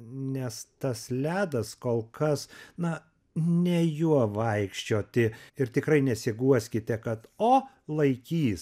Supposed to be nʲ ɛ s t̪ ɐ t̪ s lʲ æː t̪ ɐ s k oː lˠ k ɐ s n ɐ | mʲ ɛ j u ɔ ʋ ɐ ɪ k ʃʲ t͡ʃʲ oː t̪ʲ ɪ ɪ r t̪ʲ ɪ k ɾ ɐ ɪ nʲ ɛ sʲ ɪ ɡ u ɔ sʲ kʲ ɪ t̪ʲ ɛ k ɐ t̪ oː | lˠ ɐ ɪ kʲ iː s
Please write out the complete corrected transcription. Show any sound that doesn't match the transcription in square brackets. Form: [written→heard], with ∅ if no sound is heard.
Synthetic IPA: nʲ ɛ s t̪ ɐ [t̪→∅] s lʲ æː [t̪→d̪] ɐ s k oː lˠ k ɐ s n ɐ | [mʲ→nʲ] ɛ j u ɔ ʋ ɐ ɪ k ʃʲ t͡ʃʲ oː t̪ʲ ɪ ɪ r t̪ʲ ɪ k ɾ ɐ ɪ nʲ ɛ sʲ ɪ ɡ u ɔ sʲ kʲ ɪ t̪ʲ ɛ k ɐ t̪ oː | lˠ ɐ ɪ kʲ iː s

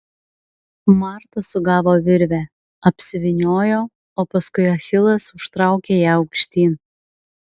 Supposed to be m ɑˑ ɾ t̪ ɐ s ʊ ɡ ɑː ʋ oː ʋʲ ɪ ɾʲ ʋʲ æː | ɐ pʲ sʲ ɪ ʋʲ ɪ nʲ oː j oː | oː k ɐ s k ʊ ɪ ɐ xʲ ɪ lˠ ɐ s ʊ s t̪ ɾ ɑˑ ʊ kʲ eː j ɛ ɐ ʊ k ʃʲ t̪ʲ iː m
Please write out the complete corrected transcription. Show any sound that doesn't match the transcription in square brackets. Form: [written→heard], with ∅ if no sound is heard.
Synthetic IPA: m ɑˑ ɾ t̪ ɐ s ʊ ɡ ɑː ʋ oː ʋʲ ɪ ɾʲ ʋʲ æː | ɐ pʲ sʲ ɪ ʋʲ ɪ nʲ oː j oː | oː [k→p] ɐ s k ʊ ɪ ɐ xʲ ɪ lˠ ɐ s ʊ [s→ʃ] t̪ ɾ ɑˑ ʊ kʲ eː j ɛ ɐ ʊ k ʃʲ t̪ʲ iː [m→n]

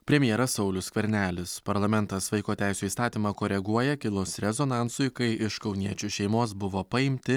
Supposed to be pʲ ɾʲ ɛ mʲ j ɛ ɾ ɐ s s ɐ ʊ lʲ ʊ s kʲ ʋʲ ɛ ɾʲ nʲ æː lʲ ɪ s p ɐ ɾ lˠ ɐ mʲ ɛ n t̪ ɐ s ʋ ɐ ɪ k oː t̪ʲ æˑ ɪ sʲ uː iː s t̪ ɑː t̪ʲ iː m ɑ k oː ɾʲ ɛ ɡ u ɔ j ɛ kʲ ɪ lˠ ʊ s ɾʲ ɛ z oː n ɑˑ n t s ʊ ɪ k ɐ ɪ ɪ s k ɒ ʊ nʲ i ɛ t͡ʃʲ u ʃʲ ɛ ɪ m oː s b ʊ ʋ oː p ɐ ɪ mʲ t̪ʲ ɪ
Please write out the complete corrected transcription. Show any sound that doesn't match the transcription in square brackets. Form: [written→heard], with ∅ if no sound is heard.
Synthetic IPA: pʲ ɾʲ ɛ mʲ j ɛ ɾ ɐ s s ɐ ʊ lʲ ʊ s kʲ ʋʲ ɛ ɾʲ nʲ æː lʲ ɪ s p ɐ ɾ lˠ ɐ mʲ ɛ n t̪ ɐ s ʋ ɐ ɪ k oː t̪ʲ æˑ ɪ sʲ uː iː s t̪ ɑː t̪ʲ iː m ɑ k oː ɾʲ ɛ ɡ u ɔ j ɛ kʲ ɪ lˠ ʊ s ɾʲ ɛ z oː n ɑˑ n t s ʊ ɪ k ɐ ɪ ɪ [s→ʃ] k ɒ ʊ nʲ i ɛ t͡ʃʲ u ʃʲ ɛ ɪ m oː s b ʊ ʋ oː p ɐ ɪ mʲ t̪ʲ ɪ

